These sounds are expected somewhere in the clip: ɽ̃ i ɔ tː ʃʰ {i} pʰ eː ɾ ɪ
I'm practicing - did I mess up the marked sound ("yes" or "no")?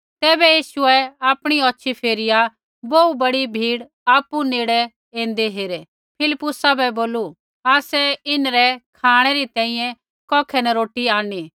no